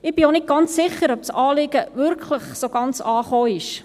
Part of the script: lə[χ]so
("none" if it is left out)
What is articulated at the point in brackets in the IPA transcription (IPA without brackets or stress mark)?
χ